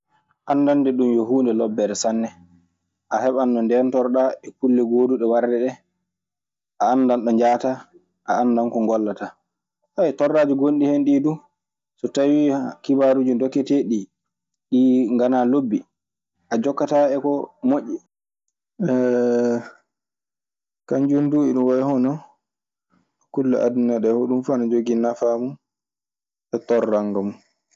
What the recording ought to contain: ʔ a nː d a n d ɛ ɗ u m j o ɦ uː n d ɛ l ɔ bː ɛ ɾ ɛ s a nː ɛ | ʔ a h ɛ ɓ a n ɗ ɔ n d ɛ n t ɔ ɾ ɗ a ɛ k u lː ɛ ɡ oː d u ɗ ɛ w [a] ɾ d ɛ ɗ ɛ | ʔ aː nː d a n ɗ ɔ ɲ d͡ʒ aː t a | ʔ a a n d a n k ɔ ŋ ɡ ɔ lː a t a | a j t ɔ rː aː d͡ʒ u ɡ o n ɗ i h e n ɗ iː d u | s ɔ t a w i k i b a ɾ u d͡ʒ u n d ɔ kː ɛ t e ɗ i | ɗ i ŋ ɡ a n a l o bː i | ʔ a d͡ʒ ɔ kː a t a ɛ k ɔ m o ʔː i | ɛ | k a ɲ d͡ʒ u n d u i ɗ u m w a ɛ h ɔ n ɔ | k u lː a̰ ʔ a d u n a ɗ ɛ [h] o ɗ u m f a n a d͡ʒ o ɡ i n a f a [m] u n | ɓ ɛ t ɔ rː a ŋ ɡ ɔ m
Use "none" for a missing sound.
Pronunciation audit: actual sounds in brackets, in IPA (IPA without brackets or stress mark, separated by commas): a, h, m